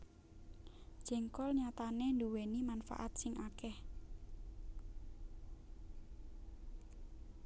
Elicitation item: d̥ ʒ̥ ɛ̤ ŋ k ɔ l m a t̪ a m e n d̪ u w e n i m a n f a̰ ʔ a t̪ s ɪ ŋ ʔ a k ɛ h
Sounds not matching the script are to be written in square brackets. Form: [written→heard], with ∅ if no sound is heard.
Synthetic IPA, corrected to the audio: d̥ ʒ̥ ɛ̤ ŋ k ɔ l [m→ɲ] a t̪ a [m→n] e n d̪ u w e n i m a n f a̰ ʔ a t̪ s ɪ ŋ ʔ a k ɛ h